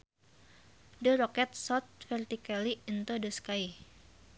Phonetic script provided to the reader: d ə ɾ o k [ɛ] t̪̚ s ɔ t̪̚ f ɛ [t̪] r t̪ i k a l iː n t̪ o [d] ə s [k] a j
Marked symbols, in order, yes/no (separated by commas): yes, no, yes, yes